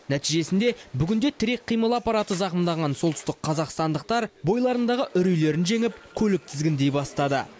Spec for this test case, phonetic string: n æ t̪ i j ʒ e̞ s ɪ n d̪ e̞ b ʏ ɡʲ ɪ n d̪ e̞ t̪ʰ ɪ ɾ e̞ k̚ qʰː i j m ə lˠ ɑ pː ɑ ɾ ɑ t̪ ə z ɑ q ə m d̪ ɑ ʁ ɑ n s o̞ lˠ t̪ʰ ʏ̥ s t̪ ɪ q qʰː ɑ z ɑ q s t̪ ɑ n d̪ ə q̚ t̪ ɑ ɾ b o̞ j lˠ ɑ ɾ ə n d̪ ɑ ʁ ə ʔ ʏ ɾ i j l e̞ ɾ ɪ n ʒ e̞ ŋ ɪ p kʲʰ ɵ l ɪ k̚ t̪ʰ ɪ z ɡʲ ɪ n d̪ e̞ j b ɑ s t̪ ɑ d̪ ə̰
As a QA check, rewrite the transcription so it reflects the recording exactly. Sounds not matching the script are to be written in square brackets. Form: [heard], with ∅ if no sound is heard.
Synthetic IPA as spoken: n æ t̪ i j ʒ e̞ s ɪ n d̪ e̞ b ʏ ɡʲ ɪ n d̪ e̞ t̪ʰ ɪ ɾ e̞ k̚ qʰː i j m ə lˠ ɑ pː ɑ ɾ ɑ t̪ ə z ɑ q ə m d̪ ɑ ʁ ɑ n s o̞ lˠ [t̪] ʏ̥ s t̪ ɪ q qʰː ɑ z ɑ q s t̪ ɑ n d̪ ə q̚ t̪ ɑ ɾ b o̞ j lˠ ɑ ɾ ə n d̪ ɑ ʁ ə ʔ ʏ ɾ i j l e̞ ɾ ɪ n ʒ e̞ ŋ ɪ p kʲʰ ɵ l ɪ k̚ t̪ʰ ɪ z ɡʲ ɪ n d̪ e̞ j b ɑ s t̪ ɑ d̪ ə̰

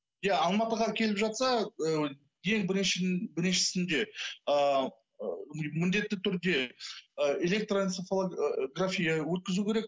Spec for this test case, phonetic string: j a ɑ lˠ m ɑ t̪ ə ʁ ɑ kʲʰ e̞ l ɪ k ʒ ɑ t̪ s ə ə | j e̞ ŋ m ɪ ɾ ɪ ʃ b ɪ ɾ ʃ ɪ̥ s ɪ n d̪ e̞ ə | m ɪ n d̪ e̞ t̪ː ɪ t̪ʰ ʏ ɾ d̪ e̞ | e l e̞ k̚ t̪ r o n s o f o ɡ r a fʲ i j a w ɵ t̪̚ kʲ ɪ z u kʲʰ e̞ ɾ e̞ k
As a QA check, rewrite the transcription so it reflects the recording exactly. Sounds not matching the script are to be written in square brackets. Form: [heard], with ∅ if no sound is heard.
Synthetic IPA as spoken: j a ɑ lˠ m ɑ t̪ ə ʁ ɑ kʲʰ e̞ l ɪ [p] ʒ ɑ t̪ s [ɑ] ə | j e̞ ŋ [b] ɪ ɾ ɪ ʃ b ɪ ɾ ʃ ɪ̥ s ɪ n d̪ e̞ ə | m ɪ n d̪ e̞ t̪ː ɪ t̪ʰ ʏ ɾ d̪ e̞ | e l e̞ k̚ t̪ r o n s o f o ɡ r a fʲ i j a w ɵ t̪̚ kʲ ɪ z u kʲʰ e̞ ɾ e̞ k

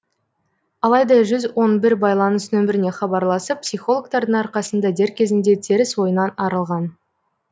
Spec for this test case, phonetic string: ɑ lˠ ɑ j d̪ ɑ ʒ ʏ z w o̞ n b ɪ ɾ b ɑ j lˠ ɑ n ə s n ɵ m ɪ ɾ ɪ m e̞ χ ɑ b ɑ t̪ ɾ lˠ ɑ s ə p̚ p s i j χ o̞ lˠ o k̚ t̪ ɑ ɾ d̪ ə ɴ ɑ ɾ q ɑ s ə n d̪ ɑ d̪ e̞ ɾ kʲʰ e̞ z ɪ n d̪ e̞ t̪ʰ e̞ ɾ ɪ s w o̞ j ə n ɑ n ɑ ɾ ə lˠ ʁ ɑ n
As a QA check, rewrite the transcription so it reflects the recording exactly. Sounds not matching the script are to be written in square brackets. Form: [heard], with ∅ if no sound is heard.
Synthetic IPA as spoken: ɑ lˠ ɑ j d̪ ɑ ʒ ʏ z w o̞ n b ɪ ɾ b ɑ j lˠ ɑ n ə s n ɵ m ɪ ɾ ɪ [n] e̞ χ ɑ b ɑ [∅] ɾ lˠ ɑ s ə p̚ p s i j χ o̞ lˠ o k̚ t̪ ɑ ɾ d̪ ə ɴ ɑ ɾ q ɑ s ə n d̪ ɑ d̪ e̞ ɾ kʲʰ e̞ z ɪ n d̪ e̞ t̪ʰ e̞ ɾ ɪ s w o̞ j ə n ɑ n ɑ ɾ ə lˠ ʁ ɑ n

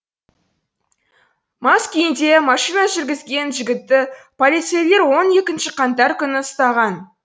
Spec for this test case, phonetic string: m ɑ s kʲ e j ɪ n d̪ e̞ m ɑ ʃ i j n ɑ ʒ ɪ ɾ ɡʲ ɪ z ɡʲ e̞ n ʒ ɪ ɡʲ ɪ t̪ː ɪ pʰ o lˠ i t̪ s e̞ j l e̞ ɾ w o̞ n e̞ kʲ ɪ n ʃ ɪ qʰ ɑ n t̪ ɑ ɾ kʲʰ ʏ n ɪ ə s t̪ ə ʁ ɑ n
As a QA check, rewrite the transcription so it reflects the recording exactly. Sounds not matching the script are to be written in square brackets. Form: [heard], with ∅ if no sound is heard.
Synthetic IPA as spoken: m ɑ s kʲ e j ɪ n d̪ e̞ m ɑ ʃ i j n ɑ ʒ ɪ ɾ ɡʲ ɪ z ɡʲ e̞ n ʒ ɪ ɡʲ ɪ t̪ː ɪ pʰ o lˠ i t̪ s e̞ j l e̞ ɾ w o̞ n e̞ kʲ ɪ n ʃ ɪ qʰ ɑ n t̪ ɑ ɾ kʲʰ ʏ n ɪ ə s t̪ [ɑ] ʁ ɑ n

